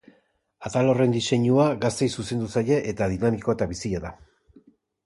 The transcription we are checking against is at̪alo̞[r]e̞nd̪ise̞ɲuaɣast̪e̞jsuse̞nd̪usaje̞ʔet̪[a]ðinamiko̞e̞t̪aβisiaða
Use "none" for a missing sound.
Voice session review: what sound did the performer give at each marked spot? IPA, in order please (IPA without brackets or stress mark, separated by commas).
r, a